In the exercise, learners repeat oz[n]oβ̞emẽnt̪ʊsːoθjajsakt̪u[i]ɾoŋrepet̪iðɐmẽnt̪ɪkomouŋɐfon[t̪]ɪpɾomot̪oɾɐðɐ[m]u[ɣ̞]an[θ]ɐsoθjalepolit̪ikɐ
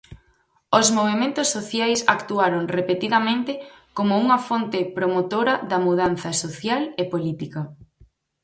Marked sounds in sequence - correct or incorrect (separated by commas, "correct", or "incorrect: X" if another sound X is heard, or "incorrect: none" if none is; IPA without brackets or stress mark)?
incorrect: m, incorrect: a, correct, correct, incorrect: ð̞, correct